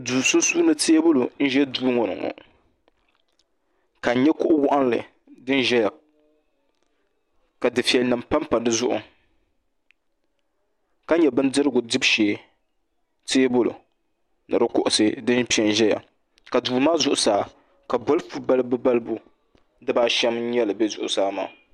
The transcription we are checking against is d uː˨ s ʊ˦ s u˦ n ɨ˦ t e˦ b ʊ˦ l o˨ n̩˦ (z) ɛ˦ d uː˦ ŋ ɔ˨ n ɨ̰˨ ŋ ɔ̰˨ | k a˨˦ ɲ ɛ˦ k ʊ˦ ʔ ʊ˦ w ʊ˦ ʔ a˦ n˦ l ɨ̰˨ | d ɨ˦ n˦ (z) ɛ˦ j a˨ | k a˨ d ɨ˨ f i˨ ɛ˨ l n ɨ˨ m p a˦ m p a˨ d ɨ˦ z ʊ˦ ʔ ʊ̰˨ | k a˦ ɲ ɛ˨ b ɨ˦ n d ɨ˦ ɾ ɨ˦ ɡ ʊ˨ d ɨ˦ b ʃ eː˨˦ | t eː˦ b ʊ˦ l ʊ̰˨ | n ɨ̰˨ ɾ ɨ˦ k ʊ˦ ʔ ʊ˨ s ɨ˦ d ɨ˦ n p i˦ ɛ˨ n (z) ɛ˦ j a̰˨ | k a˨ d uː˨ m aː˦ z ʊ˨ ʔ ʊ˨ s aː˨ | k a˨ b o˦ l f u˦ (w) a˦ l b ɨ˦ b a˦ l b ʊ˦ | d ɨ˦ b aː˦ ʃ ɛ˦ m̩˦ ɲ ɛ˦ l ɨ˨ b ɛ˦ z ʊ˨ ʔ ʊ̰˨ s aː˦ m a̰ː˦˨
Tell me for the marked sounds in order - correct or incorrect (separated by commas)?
incorrect, incorrect, incorrect, incorrect